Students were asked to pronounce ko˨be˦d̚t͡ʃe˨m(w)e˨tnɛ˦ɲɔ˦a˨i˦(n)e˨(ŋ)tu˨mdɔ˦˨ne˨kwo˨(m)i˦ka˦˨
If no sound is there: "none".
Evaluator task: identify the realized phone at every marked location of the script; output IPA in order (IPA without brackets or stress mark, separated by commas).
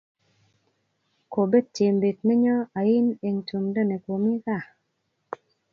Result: b, n, ŋ, m